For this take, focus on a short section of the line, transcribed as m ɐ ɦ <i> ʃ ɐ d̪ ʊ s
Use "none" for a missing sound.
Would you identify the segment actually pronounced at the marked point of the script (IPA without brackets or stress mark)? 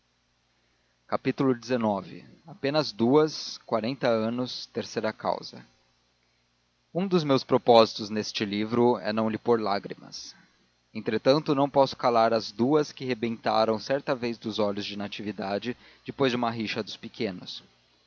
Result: i